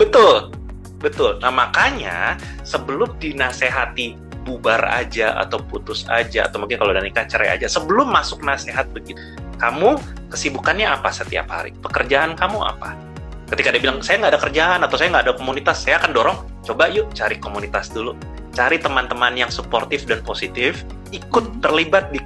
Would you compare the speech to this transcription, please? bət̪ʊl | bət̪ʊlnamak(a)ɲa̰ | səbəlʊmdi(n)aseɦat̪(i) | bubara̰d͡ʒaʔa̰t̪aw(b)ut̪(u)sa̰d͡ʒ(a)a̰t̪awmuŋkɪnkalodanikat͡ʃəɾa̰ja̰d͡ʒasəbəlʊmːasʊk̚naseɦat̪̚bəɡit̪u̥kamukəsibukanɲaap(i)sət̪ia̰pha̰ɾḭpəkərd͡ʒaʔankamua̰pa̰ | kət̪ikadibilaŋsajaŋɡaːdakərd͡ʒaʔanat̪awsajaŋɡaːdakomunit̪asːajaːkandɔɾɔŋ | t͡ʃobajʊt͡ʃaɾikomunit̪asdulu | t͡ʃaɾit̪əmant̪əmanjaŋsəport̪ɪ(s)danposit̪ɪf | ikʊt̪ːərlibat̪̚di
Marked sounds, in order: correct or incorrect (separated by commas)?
correct, correct, correct, incorrect, incorrect, correct, incorrect, incorrect